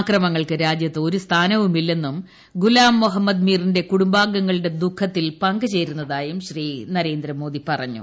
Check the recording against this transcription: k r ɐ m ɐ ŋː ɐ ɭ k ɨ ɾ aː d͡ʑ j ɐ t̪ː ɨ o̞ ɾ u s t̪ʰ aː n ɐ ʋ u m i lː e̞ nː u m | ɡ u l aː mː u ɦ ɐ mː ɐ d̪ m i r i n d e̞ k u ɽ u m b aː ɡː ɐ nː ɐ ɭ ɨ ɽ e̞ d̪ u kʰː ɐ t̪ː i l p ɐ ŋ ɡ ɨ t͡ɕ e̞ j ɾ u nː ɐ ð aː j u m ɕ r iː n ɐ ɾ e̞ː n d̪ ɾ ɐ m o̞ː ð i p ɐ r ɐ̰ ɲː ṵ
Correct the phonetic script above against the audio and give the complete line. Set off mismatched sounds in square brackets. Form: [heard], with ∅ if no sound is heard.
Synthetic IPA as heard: k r ɐ m ɐ ŋː ɐ ɭ k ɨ ɾ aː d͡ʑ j ɐ t̪ː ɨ o̞ ɾ u s t̪ʰ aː n ɐ ʋ u m i lː e̞ nː u m | ɡ u l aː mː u ɦ ɐ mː ɐ d̪ m [iː] r i n d e̞ k u ɽ u m b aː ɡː ɐ [ŋː] ɐ ɭ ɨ ɽ e̞ d̪ u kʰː ɐ t̪ː i l p ɐ ŋ ɡ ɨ t͡ɕ e̞ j ɾ u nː ɐ ð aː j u m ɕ r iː n ɐ ɾ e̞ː n d̪ ɾ ɐ m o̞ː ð i p ɐ r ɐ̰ ɲː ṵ

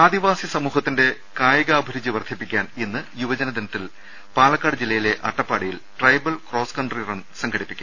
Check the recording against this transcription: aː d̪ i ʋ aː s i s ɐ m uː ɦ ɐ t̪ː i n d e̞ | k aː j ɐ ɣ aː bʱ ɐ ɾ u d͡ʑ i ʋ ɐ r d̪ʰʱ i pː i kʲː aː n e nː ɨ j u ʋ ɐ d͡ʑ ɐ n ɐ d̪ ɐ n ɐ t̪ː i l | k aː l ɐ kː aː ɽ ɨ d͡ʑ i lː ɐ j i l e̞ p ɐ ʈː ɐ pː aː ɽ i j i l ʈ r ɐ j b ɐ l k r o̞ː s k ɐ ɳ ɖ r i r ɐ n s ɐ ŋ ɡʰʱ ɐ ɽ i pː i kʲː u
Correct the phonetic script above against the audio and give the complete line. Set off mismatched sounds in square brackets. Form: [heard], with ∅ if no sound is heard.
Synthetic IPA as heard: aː d̪ i ʋ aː s i s ɐ m uː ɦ ɐ t̪ː i n d e̞ | k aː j ɐ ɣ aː bʱ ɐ ɾ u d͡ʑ i ʋ ɐ r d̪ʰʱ i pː i kʲː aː n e nː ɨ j u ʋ ɐ d͡ʑ ɐ n ɐ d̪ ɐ n ɐ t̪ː i l | [p] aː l ɐ kː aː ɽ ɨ d͡ʑ i lː ɐ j i l e̞ [ʔ] ɐ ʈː ɐ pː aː ɽ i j i l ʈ r ɐ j b ɐ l k r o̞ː s k ɐ ɳ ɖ r i r ɐ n s ɐ ŋ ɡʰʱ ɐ ɽ i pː i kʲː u

